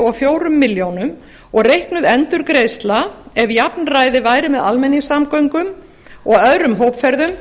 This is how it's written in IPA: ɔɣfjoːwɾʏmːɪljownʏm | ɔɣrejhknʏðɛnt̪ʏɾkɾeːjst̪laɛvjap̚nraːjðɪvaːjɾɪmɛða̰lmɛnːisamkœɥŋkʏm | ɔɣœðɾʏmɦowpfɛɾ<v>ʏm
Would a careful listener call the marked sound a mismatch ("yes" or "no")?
yes